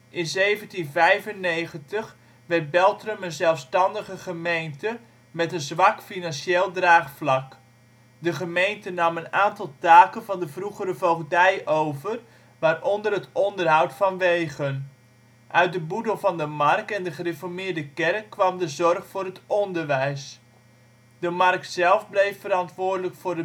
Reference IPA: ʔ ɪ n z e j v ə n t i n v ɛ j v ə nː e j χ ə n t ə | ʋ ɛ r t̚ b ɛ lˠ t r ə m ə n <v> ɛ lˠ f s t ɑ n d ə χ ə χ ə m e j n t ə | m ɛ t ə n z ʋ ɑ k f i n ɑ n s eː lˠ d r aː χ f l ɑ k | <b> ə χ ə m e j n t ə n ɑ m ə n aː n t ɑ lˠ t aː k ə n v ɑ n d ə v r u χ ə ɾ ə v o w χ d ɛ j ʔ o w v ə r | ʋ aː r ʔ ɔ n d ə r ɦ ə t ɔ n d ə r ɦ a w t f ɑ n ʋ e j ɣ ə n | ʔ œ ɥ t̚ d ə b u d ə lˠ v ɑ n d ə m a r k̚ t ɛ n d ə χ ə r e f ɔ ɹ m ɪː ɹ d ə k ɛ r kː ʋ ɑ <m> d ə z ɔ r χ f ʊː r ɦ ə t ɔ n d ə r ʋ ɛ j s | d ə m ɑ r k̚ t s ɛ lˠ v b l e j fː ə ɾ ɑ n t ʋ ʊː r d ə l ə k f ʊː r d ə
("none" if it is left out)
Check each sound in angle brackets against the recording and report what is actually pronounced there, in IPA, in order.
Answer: z, d, m

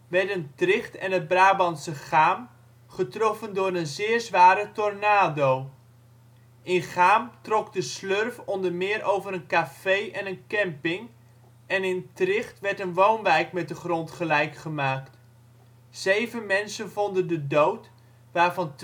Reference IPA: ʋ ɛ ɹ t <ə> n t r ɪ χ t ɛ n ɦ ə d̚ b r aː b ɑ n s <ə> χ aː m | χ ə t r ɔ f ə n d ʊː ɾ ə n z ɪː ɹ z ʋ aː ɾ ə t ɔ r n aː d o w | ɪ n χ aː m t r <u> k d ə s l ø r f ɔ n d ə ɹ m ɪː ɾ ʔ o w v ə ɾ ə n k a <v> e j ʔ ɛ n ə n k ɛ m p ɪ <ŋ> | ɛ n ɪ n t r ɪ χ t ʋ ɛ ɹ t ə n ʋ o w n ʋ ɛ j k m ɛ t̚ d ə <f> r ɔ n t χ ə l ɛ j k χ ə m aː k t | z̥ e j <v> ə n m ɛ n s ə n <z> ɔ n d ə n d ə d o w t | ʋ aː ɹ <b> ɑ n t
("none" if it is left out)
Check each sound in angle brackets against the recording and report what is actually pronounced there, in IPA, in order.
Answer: ə, ə, ɔ, f, ŋ, χ, v, v, v

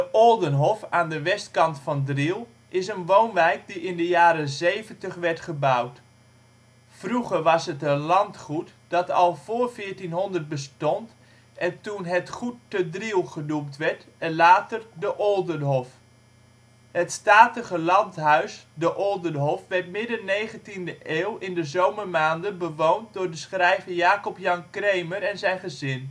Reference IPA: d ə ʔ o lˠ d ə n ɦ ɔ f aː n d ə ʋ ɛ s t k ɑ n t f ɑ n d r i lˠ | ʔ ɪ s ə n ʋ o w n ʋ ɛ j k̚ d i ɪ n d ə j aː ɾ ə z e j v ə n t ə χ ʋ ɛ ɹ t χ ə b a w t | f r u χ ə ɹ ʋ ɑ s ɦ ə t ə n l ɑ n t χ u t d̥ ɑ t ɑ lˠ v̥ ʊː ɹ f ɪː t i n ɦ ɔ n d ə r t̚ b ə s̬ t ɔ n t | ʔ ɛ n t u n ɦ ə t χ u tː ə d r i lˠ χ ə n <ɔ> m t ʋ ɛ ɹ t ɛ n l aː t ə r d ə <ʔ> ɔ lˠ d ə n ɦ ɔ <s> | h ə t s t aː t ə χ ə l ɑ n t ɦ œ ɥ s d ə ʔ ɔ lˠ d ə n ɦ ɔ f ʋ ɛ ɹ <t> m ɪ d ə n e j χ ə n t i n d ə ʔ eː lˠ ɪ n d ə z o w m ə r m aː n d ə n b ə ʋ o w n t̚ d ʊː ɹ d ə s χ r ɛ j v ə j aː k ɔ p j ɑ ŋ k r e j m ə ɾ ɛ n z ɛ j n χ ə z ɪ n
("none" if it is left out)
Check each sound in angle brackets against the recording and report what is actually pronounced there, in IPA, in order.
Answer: u, ʔ, f, t

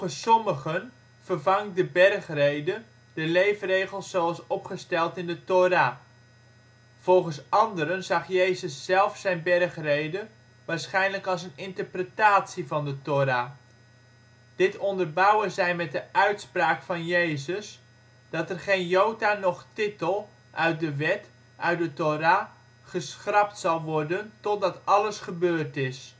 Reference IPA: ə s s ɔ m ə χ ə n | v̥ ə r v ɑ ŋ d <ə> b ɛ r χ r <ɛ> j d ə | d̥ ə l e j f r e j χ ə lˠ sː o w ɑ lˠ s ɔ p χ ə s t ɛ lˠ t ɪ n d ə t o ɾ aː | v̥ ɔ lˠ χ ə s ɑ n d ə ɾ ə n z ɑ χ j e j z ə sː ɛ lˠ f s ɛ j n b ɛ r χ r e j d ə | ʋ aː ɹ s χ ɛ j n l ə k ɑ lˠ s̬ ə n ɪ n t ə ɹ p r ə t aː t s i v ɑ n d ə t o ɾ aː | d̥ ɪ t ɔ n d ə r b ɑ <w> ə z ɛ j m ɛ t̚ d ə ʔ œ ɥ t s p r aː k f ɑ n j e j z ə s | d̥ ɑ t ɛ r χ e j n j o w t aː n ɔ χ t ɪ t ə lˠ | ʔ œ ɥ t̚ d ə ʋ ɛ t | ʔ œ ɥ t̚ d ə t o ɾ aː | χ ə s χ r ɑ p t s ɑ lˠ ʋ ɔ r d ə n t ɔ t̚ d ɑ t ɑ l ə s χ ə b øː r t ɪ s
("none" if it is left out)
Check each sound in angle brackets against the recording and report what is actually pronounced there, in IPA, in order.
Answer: ə, e, w

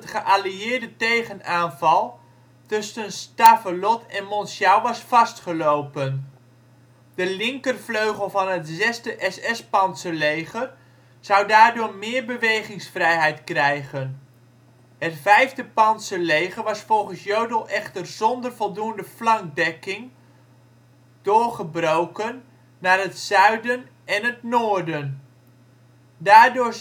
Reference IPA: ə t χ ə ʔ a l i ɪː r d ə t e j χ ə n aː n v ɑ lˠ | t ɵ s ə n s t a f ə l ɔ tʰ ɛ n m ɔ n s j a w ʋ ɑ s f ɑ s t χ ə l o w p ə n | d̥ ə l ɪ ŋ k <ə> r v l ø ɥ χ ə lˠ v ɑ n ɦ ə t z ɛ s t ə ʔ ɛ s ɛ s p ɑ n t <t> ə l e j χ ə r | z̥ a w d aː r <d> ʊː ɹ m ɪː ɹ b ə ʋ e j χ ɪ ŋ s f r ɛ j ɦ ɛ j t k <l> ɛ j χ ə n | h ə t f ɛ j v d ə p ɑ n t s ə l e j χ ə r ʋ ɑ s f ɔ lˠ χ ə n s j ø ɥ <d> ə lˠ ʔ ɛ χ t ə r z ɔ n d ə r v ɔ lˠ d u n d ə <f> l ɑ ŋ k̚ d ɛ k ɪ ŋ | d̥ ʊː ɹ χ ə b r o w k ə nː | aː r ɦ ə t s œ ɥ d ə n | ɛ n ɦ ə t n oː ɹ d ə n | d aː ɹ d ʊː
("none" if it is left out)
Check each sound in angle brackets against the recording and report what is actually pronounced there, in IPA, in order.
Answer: ə, s, d, r, d, f

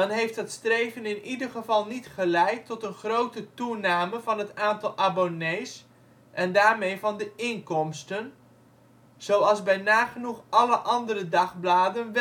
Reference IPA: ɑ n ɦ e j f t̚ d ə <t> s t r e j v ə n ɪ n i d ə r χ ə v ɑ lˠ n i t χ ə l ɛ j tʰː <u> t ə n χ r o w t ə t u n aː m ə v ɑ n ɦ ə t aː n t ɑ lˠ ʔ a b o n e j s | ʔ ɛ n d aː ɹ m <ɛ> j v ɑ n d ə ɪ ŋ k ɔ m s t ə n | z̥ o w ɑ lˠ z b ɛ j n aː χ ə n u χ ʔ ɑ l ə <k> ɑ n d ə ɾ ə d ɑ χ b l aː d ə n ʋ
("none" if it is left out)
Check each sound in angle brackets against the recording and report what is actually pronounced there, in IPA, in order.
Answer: t, ɔ, e, ʔ

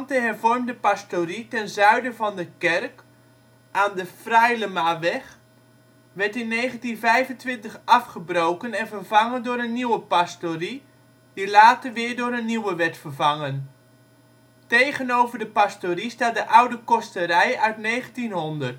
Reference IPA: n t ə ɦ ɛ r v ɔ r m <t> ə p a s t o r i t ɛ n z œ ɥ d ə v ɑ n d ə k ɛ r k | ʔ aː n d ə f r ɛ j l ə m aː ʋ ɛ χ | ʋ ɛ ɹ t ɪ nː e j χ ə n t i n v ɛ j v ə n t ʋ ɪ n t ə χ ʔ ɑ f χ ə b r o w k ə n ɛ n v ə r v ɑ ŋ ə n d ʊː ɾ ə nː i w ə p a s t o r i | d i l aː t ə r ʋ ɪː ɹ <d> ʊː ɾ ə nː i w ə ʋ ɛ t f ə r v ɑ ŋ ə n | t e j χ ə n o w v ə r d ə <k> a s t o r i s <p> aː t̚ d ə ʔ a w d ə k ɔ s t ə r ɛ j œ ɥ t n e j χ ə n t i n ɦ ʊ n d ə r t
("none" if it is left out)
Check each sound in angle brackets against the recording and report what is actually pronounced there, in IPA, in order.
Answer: d, d, p, t

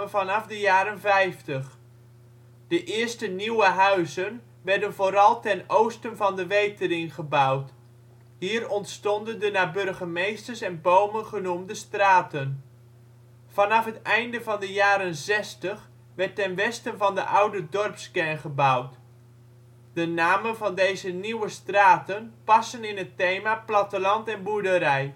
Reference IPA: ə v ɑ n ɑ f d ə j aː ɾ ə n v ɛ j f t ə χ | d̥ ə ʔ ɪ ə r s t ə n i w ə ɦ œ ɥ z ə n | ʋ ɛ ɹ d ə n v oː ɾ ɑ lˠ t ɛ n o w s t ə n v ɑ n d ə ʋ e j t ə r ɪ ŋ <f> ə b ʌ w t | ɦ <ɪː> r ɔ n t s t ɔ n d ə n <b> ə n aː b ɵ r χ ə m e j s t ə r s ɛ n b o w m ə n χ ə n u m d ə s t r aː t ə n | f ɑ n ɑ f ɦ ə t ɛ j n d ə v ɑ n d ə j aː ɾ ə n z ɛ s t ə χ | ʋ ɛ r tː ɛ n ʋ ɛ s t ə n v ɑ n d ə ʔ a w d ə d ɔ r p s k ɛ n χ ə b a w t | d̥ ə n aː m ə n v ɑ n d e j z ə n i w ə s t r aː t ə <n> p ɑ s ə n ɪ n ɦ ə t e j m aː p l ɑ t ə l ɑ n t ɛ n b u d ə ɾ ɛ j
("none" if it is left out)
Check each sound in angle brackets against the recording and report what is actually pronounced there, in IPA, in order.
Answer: χ, iː, d, n

